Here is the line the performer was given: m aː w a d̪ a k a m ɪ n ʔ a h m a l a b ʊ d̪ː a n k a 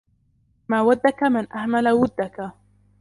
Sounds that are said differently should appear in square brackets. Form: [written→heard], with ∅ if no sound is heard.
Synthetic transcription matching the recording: m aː w a [d̪→d̪ː] a k a m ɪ n ʔ a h m a l a [b→w] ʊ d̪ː a [n→∅] k a